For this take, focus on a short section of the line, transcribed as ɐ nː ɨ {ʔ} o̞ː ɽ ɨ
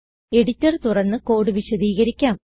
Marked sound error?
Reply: yes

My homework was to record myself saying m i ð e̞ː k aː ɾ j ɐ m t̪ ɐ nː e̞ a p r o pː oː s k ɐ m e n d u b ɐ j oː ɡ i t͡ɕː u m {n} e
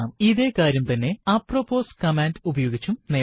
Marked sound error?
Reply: no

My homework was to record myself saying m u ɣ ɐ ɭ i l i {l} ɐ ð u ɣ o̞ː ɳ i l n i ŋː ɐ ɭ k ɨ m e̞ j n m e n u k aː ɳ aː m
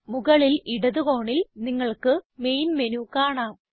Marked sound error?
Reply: yes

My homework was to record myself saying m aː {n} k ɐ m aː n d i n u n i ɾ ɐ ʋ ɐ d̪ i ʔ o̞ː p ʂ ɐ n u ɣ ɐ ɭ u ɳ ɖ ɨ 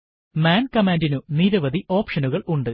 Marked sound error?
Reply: no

